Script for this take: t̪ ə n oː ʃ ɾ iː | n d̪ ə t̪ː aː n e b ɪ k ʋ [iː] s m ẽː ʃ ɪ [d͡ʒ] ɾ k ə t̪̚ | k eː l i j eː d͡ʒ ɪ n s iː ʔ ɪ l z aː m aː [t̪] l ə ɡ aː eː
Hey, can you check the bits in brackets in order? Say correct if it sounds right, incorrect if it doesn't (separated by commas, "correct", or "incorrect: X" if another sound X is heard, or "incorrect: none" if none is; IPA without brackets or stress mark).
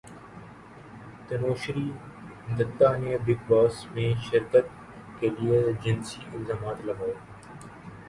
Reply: incorrect: aː, incorrect: none, correct